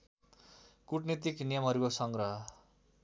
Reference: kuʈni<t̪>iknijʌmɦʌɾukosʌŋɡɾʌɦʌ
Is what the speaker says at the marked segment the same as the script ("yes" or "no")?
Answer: yes